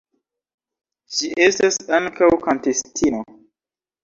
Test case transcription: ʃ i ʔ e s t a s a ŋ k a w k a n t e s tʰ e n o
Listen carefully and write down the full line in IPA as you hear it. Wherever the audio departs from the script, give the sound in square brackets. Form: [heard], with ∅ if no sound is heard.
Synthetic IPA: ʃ i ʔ e s t a s a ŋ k a w k a n t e s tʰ [i] n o

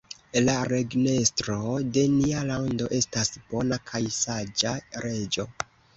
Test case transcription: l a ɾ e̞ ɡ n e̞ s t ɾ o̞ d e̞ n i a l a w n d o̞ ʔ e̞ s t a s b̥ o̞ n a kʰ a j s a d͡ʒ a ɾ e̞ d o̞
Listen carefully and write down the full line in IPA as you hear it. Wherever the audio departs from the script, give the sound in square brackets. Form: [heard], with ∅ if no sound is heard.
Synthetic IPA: l a ɾ e̞ ɡ n e̞ s t ɾ o̞ d e̞ n i a l a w n d o̞ ʔ e̞ s t a s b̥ o̞ n a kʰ a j s a d͡ʒ a ɾ e̞ [d͡ʒ] o̞

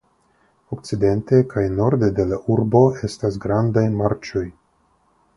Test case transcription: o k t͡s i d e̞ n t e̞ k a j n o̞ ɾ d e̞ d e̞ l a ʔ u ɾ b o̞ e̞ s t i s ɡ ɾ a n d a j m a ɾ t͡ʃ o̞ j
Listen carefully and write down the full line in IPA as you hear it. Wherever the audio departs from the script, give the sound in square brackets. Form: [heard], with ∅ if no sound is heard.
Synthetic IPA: o k t͡s i d e̞ n t e̞ k a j n o̞ ɾ d e̞ d e̞ l a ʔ u ɾ b o̞ e̞ s t [a] s ɡ ɾ a n d a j m a ɾ t͡ʃ o̞ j

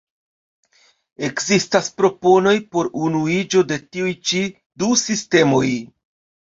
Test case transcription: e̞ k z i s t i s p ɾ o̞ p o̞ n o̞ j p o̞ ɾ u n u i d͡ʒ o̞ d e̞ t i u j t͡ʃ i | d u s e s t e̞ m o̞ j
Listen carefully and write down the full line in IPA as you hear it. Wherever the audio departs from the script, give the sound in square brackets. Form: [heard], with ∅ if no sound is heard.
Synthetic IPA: e̞ k z i s t [a] s p ɾ o̞ p o̞ n o̞ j p o̞ ɾ u n u i d͡ʒ o̞ d e̞ t i u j t͡ʃ i | d u s [i] s t e̞ m o̞ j

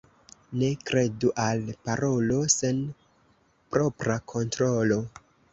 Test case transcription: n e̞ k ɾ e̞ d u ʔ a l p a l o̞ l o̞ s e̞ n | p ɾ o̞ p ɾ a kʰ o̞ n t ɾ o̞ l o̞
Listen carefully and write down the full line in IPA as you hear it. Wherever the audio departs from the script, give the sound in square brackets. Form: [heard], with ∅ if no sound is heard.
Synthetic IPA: n e̞ k ɾ e̞ d u ʔ a l p a [ɾ] o̞ l o̞ s e̞ n | p ɾ o̞ p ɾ a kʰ o̞ n t ɾ o̞ l o̞

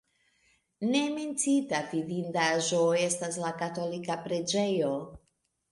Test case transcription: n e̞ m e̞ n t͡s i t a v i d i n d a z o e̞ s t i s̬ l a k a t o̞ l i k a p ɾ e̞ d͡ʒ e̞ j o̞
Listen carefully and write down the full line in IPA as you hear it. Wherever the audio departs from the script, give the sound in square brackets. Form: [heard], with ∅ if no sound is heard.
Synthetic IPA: n e̞ m e̞ n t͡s i t a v i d i n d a [ʒ] o e̞ s t [a] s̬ l a k a t o̞ l i k a p ɾ e̞ d͡ʒ e̞ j o̞

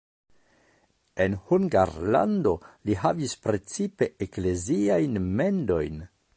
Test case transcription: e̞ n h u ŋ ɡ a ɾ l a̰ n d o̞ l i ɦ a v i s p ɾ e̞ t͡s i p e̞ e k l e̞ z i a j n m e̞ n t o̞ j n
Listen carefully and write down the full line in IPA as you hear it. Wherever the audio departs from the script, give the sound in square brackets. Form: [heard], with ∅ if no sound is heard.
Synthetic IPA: e̞ n h u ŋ ɡ a ɾ l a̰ n d o̞ l i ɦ a v i s p ɾ e̞ t͡s i p e̞ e k l e̞ z i a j n m e̞ n [d] o̞ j n

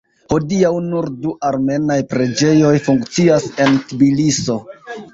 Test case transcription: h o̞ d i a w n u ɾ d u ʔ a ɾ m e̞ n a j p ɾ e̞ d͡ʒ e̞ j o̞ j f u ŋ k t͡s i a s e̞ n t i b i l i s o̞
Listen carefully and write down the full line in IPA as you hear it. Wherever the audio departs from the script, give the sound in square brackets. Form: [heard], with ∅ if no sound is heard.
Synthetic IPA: h o̞ d i a w n u ɾ d u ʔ a ɾ m e̞ n a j p ɾ e̞ d͡ʒ e̞ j o̞ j f u ŋ k t͡s i a s e̞ n t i b i l i s o̞

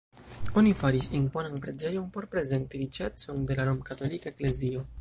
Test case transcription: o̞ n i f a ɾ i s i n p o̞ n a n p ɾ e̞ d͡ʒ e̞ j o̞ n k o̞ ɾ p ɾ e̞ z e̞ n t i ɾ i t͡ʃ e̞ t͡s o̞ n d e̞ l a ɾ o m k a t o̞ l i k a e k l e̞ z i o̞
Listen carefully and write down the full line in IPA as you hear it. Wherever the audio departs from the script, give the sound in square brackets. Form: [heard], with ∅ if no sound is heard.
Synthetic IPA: o̞ n i f a ɾ i s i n p o̞ n a n p ɾ e̞ d͡ʒ e̞ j o̞ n [p] o̞ ɾ p ɾ e̞ z e̞ n t i ɾ i t͡ʃ e̞ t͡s o̞ n d e̞ l a ɾ o m k a t o̞ l i k a e k l e̞ z i o̞

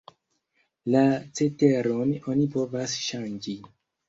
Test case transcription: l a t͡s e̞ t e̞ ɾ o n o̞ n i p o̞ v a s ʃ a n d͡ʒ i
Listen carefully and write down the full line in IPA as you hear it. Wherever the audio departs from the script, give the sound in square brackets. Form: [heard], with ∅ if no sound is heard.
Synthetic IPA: l a t͡s e̞ t e̞ ɾ o n o̞ n i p o̞ v a s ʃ a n d͡ʒ i

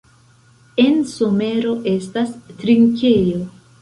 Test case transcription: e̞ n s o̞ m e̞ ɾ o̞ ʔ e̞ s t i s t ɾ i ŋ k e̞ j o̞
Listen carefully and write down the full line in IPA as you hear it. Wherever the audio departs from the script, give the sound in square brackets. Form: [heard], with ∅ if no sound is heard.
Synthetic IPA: e̞ n s o̞ m e̞ ɾ o̞ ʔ e̞ s t [a] s t ɾ i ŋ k e̞ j o̞

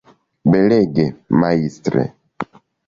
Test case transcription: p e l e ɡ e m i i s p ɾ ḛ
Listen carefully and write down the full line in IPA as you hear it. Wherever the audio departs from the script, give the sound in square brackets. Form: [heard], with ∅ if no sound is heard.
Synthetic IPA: [b] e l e ɡ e m [a] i s [t] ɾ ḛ

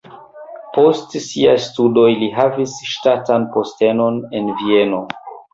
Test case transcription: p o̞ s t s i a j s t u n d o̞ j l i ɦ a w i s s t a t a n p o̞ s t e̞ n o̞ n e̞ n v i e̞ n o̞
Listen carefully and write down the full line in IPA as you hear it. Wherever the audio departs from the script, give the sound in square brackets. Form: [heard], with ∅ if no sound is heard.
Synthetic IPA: p o̞ s t s i a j s t u [∅] d o̞ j l i ɦ a [v] i s [ʃ] t a t a n p o̞ s t e̞ n o̞ n e̞ n v i e̞ n o̞

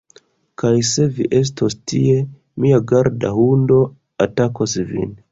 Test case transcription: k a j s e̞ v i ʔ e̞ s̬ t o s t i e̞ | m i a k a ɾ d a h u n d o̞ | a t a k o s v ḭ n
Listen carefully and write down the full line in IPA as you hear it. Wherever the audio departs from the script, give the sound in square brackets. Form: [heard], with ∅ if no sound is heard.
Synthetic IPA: k a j s e̞ v i ʔ e̞ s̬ t o s t i e̞ | m i a [ɡ] a ɾ d a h u n d o̞ | a t a k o s v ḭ n

